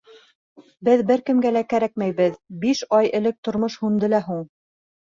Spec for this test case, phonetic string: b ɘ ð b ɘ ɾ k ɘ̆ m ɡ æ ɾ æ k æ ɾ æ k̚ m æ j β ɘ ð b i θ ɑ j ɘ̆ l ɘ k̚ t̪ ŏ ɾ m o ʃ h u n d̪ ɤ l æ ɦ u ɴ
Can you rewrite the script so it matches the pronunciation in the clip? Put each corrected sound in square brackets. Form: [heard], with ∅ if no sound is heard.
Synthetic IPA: b ɘ ð b ɘ ɾ k ɘ̆ m ɡ æ [l] æ k æ ɾ æ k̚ m æ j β ɘ ð b i [ʃ] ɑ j ɘ̆ l ɘ k̚ t̪ ŏ ɾ m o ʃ h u n d̪ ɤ l æ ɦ u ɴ